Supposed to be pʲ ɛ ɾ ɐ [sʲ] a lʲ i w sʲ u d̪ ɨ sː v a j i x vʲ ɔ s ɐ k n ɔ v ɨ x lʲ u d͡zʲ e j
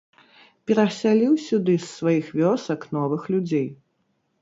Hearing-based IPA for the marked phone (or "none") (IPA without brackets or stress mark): sʲ